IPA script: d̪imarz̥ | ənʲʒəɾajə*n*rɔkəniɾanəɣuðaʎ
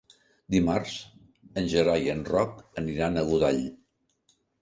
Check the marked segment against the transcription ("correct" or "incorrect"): correct